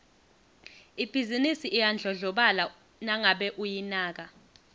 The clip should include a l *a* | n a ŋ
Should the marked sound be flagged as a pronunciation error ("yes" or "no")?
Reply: no